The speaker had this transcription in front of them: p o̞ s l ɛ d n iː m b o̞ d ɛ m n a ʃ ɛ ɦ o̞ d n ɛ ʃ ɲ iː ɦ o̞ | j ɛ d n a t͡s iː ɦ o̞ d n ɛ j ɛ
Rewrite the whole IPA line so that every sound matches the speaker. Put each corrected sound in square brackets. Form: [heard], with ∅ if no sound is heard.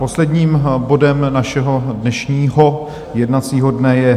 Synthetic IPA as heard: p o̞ s l ɛ d [ɲ] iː m b o̞ d ɛ m n a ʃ ɛ ɦ o̞ d n ɛ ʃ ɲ iː ɦ o̞ | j ɛ d n a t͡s iː ɦ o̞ d n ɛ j ɛ